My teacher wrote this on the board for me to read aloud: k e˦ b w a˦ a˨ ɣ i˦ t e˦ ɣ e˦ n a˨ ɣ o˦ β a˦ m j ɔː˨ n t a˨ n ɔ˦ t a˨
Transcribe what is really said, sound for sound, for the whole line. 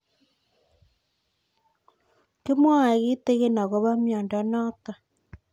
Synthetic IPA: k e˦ m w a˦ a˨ ɣ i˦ t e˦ ɣ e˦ n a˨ ɣ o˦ β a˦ m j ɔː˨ n d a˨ n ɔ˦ t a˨